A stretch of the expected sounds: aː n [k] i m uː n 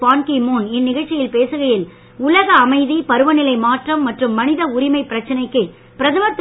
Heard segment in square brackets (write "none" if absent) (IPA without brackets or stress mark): k